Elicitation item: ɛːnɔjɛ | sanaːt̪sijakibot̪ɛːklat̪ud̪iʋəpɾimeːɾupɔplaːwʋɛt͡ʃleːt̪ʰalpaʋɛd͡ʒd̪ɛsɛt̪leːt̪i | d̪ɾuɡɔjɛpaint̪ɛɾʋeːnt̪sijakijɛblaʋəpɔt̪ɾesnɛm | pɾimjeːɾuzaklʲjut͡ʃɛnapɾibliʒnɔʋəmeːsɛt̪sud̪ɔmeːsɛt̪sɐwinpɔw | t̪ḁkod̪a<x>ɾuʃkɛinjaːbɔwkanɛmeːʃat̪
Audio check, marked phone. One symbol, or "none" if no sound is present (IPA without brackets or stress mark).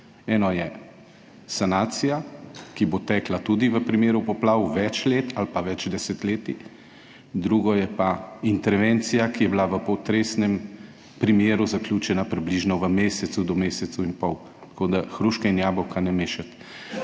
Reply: x